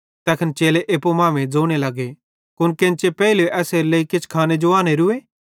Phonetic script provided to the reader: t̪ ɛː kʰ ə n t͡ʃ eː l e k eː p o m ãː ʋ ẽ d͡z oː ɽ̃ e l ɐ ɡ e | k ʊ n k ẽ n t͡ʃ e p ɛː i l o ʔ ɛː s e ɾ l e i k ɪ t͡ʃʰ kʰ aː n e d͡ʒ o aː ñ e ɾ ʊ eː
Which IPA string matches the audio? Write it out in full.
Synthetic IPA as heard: t̪ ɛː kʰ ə n t͡ʃ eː l e ʔ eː p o m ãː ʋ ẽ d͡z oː ɽ̃ e l ɐ ɡ e | k ʊ n k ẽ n t͡ʃ e p ɛː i l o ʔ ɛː s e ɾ l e i k ɪ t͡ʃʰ kʰ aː n e d͡ʒ o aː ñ e ɾ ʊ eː